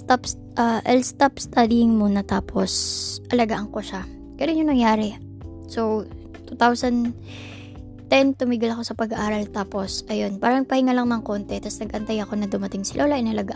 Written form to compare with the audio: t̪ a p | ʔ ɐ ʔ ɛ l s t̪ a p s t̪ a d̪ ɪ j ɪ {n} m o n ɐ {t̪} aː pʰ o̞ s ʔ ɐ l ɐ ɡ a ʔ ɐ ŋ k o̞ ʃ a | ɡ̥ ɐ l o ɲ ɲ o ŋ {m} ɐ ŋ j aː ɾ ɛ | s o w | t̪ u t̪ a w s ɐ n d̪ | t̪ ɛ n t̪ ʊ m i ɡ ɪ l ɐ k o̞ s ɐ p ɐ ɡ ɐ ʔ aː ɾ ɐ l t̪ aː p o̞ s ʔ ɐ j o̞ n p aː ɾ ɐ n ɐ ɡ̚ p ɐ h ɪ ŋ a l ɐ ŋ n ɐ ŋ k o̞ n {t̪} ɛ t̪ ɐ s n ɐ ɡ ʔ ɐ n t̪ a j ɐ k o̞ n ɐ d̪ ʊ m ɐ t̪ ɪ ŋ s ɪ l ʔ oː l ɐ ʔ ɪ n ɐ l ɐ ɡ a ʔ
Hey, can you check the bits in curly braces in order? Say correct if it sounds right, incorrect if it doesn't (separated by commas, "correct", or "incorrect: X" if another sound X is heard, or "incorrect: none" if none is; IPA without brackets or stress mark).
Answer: incorrect: ŋ, correct, incorrect: n, correct